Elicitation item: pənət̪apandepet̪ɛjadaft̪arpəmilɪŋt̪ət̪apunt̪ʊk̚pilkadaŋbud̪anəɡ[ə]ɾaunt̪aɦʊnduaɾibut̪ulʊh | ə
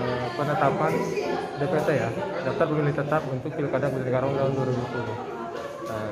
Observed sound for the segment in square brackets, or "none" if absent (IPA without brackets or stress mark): a